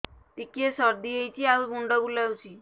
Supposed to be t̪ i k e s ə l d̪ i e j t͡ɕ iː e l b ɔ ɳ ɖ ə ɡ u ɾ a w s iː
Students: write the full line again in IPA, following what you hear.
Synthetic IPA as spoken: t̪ i k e s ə ɾ d̪ i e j t͡ɕ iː a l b u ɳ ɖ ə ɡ u l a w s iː